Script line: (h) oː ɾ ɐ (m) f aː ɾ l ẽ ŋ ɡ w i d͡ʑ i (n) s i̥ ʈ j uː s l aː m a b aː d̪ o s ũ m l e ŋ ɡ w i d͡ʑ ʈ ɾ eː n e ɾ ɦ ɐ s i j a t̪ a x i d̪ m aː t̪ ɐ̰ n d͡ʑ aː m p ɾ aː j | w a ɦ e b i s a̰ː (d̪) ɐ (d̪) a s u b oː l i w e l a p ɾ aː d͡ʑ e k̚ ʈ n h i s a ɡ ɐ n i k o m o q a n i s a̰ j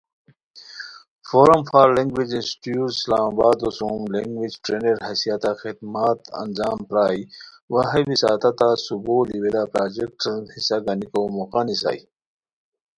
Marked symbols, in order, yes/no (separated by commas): no, yes, yes, no, no